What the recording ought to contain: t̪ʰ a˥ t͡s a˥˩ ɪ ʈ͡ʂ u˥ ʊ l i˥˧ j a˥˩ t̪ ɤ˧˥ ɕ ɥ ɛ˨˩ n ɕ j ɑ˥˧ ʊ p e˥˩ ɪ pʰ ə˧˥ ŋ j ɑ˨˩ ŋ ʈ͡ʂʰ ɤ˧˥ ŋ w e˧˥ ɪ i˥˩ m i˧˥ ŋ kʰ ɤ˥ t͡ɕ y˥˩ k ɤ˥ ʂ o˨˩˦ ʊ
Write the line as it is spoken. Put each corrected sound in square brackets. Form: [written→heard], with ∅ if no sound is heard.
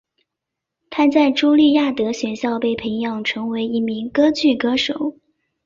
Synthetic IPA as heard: t̪ʰ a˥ t͡s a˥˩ ɪ ʈ͡ʂ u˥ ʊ l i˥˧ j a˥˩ t̪ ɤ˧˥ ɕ ɥ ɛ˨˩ n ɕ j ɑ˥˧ ʊ p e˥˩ ɪ pʰ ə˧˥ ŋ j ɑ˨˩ ŋ ʈ͡ʂʰ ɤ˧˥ ŋ w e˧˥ ɪ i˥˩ m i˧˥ ŋ [kʰ→k] ɤ˥ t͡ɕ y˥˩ k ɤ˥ ʂ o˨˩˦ ʊ